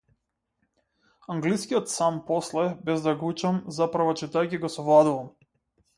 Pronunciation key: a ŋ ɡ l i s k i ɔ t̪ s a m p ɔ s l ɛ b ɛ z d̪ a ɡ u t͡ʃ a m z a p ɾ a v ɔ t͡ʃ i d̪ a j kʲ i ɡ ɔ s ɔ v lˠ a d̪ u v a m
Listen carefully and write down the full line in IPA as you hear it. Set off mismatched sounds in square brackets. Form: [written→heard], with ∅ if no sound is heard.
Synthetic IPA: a ŋ ɡ l i s k i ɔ t̪ s a m p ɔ s l ɛ b ɛ z d̪ a ɡ u t͡ʃ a m z a p ɾ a v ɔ t͡ʃ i [d̪→t̪] a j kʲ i ɡ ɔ s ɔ v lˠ a d̪ u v a m